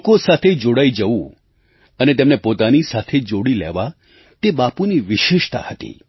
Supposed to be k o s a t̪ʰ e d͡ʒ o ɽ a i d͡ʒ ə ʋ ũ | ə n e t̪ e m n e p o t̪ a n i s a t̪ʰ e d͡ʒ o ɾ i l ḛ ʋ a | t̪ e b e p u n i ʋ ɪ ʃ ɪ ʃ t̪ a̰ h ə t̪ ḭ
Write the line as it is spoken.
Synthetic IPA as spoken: k o s a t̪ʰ e d͡ʒ o ɽ a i d͡ʒ ə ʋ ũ | ə n e t̪ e m n e p o t̪ a n i s a t̪ʰ e d͡ʒ o ɽ i l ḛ ʋ a | t̪ e b a p u n i ʋ ɪ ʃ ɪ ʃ t̪ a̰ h ə t̪ ḭ